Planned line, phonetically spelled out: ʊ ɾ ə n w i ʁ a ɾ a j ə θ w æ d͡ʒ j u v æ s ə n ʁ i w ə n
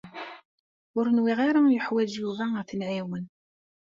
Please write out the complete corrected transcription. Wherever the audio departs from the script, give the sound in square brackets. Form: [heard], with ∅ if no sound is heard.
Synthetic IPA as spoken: ʊ ɾ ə n w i ʁ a ɾ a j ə [ħ] w æ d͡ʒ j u v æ [θ] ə n [ʕ] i w ə n